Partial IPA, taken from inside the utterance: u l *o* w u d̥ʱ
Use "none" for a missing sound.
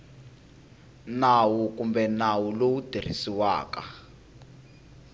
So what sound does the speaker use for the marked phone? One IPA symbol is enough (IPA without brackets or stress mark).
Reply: o